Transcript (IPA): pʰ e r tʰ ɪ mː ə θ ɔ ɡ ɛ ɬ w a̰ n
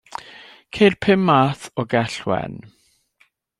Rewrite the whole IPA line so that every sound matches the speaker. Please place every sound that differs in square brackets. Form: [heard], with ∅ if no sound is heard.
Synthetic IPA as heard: [kʰ] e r [pʰ] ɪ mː [a] θ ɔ ɡ ɛ ɬ w [ɛ̰] n